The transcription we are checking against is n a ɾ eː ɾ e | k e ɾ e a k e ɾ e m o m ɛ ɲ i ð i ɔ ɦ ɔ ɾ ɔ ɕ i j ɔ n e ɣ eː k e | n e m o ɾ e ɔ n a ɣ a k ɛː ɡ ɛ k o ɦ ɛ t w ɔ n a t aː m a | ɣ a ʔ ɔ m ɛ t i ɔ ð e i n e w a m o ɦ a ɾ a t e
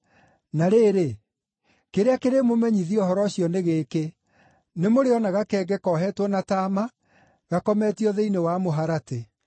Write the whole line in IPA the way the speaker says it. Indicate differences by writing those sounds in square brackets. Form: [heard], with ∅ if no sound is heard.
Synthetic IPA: n a ɾ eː ɾ e | k e ɾ e a k e ɾ e m o m ɛ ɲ i ð i ɔ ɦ ɔ ɾ ɔ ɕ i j ɔ n e ɣ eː k e | n e m o ɾ e ɔ n a ɣ a k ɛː ɡ ɛ k [ɔ] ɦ ɛ t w ɔ n a t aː m a | ɣ a [k] ɔ m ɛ t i ɔ ð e i n e w a m o ɦ a ɾ a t e